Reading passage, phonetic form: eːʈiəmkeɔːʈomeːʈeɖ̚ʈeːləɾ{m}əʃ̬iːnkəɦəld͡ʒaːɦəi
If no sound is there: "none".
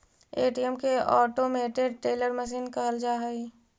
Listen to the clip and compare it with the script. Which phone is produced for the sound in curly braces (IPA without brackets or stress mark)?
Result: m